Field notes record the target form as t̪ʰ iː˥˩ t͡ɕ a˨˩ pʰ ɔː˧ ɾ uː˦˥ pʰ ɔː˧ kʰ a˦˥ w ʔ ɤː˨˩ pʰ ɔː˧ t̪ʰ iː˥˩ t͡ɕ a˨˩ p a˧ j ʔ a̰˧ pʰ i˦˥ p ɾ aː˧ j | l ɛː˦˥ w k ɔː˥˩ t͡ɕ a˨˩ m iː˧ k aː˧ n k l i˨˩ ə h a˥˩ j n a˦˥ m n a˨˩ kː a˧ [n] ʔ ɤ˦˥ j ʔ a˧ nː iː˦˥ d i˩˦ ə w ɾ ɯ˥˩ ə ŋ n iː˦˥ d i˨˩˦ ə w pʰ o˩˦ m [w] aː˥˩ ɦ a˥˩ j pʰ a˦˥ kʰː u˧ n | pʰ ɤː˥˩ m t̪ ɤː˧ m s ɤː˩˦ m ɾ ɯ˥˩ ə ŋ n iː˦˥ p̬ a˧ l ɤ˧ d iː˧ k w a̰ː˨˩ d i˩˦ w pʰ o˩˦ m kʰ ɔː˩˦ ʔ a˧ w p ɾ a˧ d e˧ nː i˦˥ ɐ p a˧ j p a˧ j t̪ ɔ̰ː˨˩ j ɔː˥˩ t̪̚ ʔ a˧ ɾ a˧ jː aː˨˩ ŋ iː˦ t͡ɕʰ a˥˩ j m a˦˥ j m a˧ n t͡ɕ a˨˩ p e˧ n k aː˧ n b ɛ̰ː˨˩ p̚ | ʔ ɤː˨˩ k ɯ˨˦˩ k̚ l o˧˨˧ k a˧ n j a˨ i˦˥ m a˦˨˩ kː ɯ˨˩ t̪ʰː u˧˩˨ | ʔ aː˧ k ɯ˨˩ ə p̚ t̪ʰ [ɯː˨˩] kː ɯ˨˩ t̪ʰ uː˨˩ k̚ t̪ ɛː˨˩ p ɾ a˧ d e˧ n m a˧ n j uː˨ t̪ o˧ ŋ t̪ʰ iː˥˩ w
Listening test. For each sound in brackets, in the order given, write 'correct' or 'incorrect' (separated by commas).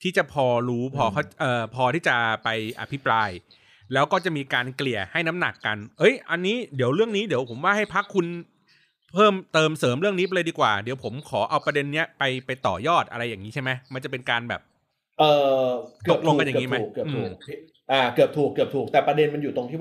correct, correct, incorrect